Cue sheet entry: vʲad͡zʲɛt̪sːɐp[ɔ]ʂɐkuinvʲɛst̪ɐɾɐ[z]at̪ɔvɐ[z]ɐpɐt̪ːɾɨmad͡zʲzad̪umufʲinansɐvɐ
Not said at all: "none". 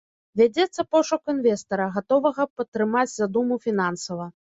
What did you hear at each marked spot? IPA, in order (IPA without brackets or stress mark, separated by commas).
ɔ, ɣ, ɣ